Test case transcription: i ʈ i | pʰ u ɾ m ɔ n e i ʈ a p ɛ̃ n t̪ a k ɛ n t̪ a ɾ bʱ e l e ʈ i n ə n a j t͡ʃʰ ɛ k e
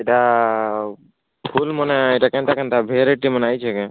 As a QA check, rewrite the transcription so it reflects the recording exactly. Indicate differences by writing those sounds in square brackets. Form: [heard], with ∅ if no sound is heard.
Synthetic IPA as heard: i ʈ [a] | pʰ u [l] m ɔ n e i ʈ a [k] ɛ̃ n t̪ a k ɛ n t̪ a [∅] bʱ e [ɾ] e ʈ i [m] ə n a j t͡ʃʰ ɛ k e